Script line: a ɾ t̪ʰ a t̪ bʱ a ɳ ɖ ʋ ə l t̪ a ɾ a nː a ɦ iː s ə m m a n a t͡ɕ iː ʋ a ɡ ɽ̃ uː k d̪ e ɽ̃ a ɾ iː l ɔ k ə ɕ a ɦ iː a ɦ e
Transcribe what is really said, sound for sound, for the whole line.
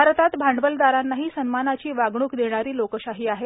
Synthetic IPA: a ɾ t̪ a t̪ bʱ a ɳ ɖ ʋ ə l d̪ a ɾ a nː a ɦ iː s ə n m a n a t͡ɕ iː ʋ a ɡ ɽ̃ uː k d̪ e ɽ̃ a ɾ iː l o k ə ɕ a ɦ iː a ɦ e